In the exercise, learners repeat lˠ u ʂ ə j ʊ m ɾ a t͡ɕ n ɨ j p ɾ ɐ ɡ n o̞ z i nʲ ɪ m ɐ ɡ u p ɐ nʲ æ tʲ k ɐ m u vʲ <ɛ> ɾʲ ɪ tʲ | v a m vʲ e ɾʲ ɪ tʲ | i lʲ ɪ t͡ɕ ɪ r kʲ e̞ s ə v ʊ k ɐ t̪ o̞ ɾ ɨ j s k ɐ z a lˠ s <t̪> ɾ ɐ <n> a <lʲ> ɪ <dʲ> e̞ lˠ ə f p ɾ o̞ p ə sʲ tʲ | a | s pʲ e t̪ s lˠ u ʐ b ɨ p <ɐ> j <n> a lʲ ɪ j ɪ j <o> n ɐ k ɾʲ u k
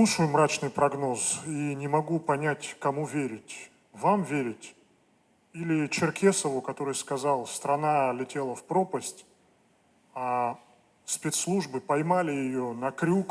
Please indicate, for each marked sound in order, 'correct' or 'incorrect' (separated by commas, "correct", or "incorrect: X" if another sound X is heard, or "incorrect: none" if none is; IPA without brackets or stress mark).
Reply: incorrect: e, correct, correct, correct, incorrect: tʲ, correct, incorrect: m, correct